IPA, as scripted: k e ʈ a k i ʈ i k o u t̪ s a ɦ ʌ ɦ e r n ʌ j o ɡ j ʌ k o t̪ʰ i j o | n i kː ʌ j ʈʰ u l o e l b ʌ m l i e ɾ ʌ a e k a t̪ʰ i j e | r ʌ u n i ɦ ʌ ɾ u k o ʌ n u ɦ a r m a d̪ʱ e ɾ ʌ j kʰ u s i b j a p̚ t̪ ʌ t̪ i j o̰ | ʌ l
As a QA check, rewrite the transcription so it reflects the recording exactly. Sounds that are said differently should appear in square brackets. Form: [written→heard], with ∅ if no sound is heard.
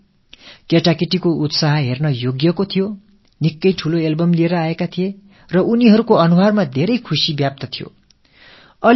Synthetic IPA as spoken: k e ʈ a k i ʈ i k o u t̪ s a ɦ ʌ ɦ e r n ʌ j o ɡ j ʌ k o t̪ʰ i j o | n i kː ʌ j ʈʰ u l o e l b ʌ m l i e ɾ ʌ a e k a t̪ʰ i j e | r ʌ u n i ɦ ʌ ɾ u k o ʌ n u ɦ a r m a d̪ʱ e ɾ ʌ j kʰ u s i b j a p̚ t̪ ʌ [t̪→t̪ʰ] i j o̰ | ʌ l

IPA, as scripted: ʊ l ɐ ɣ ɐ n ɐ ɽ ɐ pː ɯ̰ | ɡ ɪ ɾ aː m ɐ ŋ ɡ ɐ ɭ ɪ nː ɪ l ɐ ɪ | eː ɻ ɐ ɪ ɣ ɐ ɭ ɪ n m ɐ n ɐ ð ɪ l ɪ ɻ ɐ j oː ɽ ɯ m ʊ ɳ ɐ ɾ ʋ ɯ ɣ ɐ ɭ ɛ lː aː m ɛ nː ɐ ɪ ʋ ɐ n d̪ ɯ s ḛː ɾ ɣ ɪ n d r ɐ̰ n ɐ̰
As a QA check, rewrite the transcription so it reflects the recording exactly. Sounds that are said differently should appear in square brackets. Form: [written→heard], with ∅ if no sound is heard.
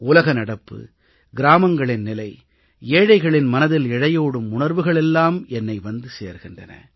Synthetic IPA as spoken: ʊ l ɐ ɣ ɐ n ɐ ɽ ɐ pː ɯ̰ | ɡ ɪ ɾ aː m ɐ ŋ ɡ ɐ ɭ ɪ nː ɪ l ɐ ɪ | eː ɻ ɐ ɪ ɣ ɐ ɭ ɪ n m ɐ n ɐ ð ɪ l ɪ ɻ ɐ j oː ɽ ɯ m ʊ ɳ ɐ ɾ ʋ ɯ ɣ ɐ ɭ ɛ lː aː m ɛ nː ɐ ɪ ʋ ɐ n d̪ ɯ s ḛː ɾ ɣ ɪ n d r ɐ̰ n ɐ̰

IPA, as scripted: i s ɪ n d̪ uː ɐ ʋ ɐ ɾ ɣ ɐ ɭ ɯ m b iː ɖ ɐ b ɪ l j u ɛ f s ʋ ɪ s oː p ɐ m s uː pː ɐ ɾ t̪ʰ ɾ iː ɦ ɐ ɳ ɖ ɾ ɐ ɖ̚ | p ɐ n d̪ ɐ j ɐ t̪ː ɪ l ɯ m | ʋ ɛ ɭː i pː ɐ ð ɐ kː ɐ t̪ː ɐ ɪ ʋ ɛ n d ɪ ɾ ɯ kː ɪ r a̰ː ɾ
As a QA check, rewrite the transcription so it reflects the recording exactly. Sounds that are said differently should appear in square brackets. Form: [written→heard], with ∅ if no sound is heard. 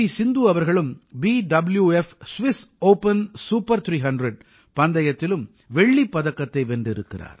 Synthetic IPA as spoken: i s ɪ n d̪ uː ɐ ʋ ɐ ɾ ɣ ɐ ɭ ɯ m b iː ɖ ɐ b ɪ l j u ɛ f s ʋ ɪ s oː p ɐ [m→n] s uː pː ɐ ɾ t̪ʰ ɾ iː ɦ ɐ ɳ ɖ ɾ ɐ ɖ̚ | p ɐ n d̪ ɐ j ɐ t̪ː ɪ l ɯ m | ʋ ɛ ɭː i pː ɐ ð ɐ kː ɐ t̪ː ɐ ɪ ʋ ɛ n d ɪ ɾ ɯ kː ɪ r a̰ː ɾ

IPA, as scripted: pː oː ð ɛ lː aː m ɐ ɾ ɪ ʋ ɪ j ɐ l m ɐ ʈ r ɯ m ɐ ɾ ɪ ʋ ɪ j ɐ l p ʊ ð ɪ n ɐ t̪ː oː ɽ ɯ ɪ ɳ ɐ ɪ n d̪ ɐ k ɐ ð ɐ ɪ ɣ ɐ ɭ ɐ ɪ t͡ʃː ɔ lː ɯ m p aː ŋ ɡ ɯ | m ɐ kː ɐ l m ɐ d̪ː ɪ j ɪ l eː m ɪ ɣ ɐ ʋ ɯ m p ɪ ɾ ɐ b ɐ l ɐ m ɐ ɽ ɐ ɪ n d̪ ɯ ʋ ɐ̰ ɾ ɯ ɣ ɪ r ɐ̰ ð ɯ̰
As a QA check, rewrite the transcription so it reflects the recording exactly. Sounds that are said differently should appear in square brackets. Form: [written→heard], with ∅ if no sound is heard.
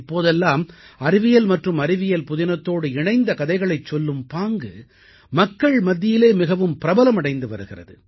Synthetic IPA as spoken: pː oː ð ɛ lː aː m ɐ ɾ ɪ ʋ ɪ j ɐ l m ɐ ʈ r ɯ m ɐ ɾ ɪ ʋ ɪ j ɐ l p ʊ ð ɪ n ɐ t̪ː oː ɽ ɯ ɪ ɳ ɐ ɪ n d̪ ɐ k ɐ ð ɐ ɪ ɣ ɐ ɭ ɐ ɪ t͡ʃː ɔ lː ɯ m p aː ŋ ɡ ɯ | m ɐ kː ɐ [l→ɭ] m ɐ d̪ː ɪ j ɪ l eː m ɪ ɣ ɐ ʋ ɯ m p ɪ ɾ ɐ b ɐ l ɐ m ɐ ɽ ɐ ɪ n d̪ ɯ ʋ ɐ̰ ɾ ɯ ɣ ɪ r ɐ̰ ð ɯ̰

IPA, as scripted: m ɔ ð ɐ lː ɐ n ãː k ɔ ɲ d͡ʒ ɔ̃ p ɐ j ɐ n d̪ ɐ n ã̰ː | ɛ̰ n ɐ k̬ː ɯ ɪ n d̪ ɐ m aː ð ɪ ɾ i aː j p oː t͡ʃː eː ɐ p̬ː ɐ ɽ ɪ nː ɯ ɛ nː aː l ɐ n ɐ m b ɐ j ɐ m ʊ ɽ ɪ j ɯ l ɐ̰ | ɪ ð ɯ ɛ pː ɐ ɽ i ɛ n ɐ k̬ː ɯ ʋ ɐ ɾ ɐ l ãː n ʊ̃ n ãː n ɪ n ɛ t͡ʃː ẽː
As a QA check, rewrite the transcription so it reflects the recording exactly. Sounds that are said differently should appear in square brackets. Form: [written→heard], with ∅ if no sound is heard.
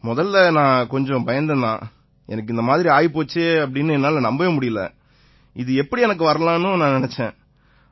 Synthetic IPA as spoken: m ɔ ð ɐ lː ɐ n ãː k ɔ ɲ d͡ʒ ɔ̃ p ɐ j ɐ n d̪ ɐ n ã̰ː | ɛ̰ n ɐ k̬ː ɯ ɪ n d̪ ɐ m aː ð ɪ ɾ i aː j p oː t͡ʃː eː ɐ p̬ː ɐ ɽ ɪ nː ɯ ɛ nː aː l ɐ n ɐ m b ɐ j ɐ m ʊ ɽ ɪ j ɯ l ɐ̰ | ɪ ð ɯ ɛ pː ɐ ɽ i ɛ n ɐ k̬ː ɯ ʋ ɐ ɾ ɐ l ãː n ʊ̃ n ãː n ɪ n ɛ t͡ʃː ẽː

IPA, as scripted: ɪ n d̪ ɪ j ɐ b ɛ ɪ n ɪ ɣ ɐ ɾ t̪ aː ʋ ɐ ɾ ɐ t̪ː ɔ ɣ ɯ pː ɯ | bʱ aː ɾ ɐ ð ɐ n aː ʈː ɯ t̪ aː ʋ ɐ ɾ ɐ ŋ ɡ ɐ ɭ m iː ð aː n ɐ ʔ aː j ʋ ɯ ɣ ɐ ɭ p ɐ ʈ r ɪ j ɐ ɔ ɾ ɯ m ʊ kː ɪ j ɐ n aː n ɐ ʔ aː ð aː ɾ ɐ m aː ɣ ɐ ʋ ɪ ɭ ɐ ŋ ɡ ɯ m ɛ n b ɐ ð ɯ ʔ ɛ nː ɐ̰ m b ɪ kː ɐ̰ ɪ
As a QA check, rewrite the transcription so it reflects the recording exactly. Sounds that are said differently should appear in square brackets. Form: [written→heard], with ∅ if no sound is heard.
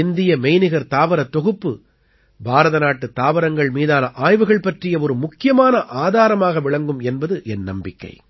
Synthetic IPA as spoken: ɪ n d̪ ɪ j ɐ [b→m] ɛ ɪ n ɪ ɣ ɐ ɾ t̪ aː ʋ ɐ ɾ ɐ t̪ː ɔ ɣ ɯ pː ɯ | bʱ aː ɾ ɐ ð ɐ n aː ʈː ɯ t̪ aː ʋ ɐ ɾ ɐ ŋ ɡ ɐ ɭ m iː ð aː n ɐ ʔ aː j ʋ ɯ ɣ ɐ ɭ p ɐ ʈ r ɪ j ɐ ɔ ɾ ɯ m ʊ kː ɪ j ɐ [n→m] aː n ɐ ʔ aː ð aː ɾ ɐ m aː ɣ ɐ ʋ ɪ ɭ ɐ ŋ ɡ ɯ m ɛ n b ɐ ð ɯ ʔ ɛ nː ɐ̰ m b ɪ kː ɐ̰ ɪ

